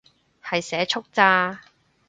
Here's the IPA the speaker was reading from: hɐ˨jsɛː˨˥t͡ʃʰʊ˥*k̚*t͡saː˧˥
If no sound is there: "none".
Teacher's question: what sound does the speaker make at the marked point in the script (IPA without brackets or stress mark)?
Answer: k̚